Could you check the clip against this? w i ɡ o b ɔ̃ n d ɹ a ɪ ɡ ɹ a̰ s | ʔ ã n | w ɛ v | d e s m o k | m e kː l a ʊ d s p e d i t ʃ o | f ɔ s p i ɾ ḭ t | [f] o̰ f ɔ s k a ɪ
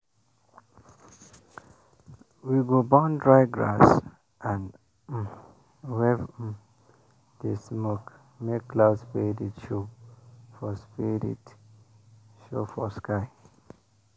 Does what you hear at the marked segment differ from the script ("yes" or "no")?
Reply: yes